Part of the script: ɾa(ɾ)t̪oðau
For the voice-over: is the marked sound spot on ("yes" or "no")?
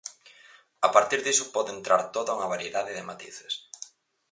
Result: yes